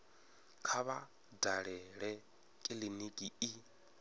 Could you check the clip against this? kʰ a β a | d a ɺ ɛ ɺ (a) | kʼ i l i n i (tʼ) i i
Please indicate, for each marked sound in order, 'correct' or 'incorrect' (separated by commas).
incorrect, incorrect